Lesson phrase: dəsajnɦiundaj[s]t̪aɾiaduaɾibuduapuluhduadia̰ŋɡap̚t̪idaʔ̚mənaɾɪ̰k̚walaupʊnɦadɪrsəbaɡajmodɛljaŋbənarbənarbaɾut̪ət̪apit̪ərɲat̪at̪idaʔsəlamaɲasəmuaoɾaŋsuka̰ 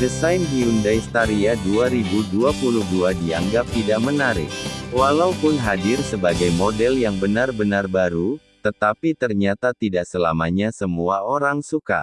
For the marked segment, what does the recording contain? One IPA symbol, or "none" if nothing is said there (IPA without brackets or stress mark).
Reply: s